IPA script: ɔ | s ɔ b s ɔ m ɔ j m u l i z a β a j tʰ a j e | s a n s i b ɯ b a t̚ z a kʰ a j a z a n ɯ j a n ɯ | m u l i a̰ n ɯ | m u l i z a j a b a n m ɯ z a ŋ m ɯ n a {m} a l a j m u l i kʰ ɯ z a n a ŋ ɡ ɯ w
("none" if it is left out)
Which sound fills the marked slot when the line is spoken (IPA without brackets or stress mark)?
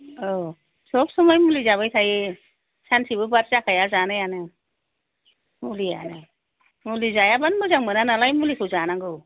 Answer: n